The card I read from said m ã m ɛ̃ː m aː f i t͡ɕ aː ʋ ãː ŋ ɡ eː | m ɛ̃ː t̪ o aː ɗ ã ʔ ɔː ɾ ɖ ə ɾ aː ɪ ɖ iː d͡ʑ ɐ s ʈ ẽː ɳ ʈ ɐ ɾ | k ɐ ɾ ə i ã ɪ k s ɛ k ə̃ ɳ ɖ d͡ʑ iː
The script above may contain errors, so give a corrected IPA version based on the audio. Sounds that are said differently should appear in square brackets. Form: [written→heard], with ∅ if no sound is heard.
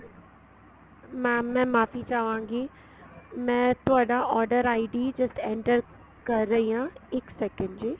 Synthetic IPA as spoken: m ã m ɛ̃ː m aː f i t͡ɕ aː ʋ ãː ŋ ɡ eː | m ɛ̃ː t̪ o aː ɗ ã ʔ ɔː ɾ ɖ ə ɾ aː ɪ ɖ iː d͡ʑ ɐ s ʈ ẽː ɳ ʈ [ɐ→ə] ɾ | k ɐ ɾ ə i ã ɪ k s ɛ k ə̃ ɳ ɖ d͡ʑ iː